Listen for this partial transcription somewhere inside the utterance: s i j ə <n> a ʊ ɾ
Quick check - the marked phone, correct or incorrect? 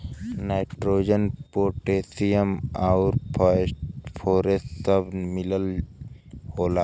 incorrect